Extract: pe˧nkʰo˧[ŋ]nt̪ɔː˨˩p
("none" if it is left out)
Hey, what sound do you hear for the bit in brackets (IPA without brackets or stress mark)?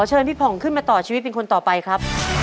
none